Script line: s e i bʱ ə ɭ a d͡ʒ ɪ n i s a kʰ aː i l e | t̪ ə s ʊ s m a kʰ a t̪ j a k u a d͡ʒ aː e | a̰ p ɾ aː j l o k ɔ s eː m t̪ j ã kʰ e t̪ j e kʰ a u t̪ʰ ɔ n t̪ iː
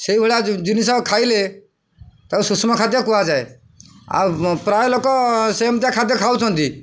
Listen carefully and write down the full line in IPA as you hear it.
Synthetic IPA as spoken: s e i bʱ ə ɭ a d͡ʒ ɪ n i s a kʰ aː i l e | t̪ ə s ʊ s m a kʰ a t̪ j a k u a d͡ʒ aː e | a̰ p ɾ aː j l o k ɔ s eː m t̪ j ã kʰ a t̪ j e kʰ a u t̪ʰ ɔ n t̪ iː